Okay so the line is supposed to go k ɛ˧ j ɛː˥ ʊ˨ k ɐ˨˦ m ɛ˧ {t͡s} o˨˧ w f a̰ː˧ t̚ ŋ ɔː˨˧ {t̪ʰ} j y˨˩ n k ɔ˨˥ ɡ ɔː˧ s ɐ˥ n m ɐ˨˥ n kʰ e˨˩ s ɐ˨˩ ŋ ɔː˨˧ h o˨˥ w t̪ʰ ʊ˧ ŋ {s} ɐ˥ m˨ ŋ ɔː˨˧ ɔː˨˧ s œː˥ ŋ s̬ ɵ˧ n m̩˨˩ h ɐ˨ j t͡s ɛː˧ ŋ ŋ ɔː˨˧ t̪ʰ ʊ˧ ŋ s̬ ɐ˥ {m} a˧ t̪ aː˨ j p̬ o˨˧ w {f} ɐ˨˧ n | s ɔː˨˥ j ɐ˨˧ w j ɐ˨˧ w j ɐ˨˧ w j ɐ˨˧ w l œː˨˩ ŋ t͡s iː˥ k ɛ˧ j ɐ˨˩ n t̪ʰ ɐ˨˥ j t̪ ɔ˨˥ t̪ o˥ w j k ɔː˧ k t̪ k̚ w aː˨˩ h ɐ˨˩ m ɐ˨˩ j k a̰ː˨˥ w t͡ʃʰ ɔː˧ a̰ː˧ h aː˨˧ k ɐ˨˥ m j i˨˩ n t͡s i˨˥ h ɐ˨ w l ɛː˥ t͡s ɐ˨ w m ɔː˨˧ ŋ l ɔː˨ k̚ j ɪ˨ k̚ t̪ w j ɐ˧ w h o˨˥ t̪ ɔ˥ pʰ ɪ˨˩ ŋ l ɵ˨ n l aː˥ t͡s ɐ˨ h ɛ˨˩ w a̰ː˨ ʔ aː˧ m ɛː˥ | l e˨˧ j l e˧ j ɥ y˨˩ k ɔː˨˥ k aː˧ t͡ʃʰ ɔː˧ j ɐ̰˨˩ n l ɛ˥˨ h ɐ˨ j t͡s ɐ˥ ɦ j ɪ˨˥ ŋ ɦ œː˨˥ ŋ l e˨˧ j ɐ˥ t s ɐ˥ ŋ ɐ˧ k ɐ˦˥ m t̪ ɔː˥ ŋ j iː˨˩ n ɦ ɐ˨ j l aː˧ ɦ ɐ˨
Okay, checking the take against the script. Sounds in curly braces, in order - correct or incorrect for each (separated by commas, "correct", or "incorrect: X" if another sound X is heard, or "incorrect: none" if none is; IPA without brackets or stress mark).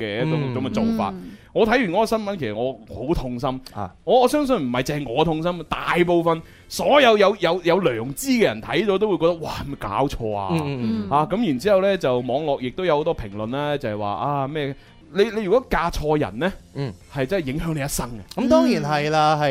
correct, correct, correct, correct, correct